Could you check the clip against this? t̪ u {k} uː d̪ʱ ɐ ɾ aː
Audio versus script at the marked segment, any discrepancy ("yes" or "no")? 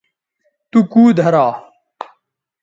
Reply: no